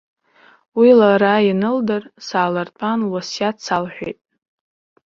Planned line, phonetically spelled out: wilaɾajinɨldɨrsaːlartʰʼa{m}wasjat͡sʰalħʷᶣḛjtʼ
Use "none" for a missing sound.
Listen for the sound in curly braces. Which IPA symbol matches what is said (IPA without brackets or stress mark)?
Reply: n